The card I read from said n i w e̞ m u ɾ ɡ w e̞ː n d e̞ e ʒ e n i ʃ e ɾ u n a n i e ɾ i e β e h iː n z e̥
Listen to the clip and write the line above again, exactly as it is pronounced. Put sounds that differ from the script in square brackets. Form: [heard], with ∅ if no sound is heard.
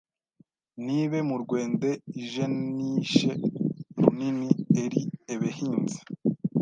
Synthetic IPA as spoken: n i [β] e̞ m u ɾ ɡ w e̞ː n d e̞ [i] ʒ e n i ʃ e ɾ u n [i] n i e ɾ i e β e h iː n z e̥